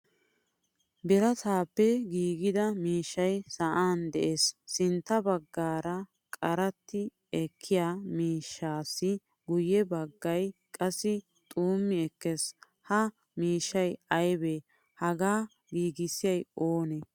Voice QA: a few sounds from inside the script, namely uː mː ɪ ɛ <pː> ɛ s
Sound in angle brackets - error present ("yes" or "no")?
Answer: yes